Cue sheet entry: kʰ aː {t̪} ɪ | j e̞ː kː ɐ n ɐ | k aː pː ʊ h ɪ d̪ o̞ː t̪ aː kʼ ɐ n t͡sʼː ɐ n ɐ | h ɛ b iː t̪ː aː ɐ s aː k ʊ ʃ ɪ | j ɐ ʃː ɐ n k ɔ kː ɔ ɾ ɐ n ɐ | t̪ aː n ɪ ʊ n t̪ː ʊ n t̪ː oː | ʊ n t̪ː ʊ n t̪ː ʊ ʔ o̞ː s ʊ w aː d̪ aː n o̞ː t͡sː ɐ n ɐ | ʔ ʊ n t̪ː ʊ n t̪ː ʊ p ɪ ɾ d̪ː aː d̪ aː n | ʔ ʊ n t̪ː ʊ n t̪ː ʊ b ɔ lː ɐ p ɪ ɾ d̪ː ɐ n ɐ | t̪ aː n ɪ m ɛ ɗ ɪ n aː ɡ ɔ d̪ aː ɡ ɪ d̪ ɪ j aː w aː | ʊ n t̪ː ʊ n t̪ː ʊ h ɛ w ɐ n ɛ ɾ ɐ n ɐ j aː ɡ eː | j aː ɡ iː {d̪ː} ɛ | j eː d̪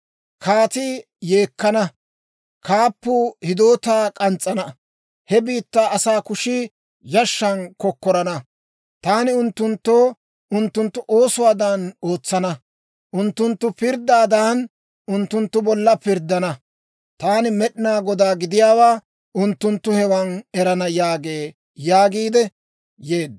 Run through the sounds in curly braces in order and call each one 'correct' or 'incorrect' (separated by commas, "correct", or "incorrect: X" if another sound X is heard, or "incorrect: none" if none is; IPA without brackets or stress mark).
correct, incorrect: d̪